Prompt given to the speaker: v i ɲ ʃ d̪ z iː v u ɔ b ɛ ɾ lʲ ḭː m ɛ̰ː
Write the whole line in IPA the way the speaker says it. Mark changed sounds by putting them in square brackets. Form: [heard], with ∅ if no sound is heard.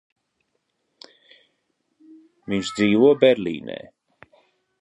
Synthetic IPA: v i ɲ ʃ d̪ z iː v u ɔ b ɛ ɾ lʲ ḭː [n] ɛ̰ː